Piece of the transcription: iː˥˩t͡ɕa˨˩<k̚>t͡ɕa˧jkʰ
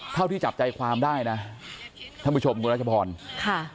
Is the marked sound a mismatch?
yes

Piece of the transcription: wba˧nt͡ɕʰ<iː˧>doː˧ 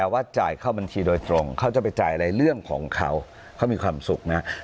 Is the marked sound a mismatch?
no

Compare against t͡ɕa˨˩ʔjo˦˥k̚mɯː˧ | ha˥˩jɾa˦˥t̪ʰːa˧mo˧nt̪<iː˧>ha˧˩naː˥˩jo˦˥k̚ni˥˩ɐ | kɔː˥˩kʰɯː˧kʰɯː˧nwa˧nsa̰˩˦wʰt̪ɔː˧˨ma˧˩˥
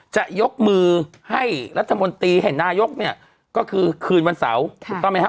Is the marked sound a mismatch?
no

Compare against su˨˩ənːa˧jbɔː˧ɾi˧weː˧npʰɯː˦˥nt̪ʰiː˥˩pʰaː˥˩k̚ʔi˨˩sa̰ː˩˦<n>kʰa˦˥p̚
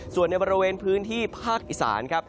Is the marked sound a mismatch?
no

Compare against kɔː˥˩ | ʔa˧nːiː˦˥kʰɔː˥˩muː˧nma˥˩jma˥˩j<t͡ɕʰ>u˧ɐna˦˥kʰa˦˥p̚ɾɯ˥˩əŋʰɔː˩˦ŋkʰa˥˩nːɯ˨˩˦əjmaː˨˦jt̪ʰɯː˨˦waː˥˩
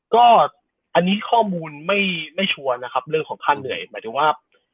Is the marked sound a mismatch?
no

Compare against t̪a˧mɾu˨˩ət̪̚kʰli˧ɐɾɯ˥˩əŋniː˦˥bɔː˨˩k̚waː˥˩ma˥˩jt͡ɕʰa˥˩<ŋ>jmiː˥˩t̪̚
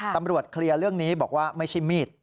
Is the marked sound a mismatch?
yes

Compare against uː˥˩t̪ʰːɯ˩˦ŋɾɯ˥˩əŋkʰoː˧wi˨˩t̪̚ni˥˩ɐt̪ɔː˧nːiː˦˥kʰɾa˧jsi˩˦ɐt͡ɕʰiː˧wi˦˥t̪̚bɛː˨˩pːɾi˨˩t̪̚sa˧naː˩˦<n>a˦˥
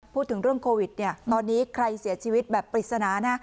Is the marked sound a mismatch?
no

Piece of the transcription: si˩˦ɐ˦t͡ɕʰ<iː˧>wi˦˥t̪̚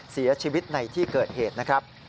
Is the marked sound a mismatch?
no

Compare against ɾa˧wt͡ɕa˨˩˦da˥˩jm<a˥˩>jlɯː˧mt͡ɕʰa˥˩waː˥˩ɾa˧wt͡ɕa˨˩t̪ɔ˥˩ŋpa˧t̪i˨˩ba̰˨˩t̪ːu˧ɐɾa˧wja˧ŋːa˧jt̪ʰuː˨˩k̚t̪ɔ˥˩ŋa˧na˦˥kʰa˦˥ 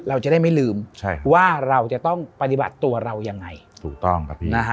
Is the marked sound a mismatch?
no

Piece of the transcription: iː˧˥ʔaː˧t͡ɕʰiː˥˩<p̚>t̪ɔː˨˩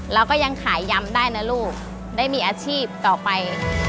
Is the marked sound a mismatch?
no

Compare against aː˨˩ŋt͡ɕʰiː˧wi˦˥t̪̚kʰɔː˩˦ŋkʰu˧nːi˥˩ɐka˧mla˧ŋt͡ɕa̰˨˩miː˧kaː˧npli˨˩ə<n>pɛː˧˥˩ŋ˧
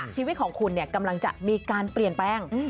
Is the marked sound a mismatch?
no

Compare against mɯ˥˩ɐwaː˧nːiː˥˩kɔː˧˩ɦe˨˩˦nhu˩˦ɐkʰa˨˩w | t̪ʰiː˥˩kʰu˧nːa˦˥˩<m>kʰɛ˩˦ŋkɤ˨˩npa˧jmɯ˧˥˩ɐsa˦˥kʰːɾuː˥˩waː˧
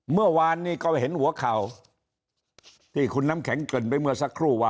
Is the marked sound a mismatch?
no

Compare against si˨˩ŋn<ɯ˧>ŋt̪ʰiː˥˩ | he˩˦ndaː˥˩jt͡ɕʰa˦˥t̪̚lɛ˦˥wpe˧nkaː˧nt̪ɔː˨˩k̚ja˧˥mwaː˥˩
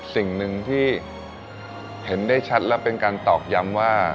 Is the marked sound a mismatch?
no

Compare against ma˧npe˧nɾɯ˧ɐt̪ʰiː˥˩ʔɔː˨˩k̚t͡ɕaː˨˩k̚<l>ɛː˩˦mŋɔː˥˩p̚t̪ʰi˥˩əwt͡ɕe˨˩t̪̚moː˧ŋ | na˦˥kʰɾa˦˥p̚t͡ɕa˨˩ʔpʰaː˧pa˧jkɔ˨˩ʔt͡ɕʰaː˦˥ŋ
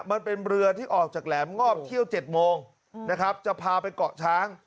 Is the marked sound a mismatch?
no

